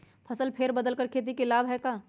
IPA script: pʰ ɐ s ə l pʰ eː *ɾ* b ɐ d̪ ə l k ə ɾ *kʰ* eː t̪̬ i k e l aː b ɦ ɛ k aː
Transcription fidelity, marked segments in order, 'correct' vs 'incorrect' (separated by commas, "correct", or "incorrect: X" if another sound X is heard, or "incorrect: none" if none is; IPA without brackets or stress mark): correct, correct